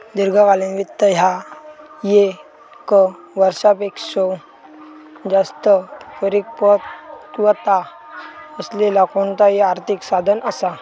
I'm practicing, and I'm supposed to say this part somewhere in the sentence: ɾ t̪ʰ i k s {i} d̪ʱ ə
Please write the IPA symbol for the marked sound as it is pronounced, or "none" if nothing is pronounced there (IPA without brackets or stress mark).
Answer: a